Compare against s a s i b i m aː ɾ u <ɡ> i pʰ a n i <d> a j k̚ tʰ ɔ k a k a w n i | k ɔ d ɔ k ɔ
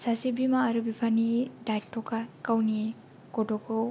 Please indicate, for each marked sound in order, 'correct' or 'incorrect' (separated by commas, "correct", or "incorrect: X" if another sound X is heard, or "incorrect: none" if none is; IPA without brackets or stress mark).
incorrect: b, correct